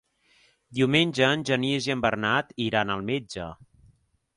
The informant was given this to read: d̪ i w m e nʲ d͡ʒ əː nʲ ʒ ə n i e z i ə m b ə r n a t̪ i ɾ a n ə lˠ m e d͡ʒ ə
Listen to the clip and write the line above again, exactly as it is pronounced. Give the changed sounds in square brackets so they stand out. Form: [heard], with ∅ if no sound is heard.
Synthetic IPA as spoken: d̪ i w m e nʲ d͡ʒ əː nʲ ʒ ə n i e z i ə m b ə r n a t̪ i ɾ a n ə lˠ m e d͡ʒ ə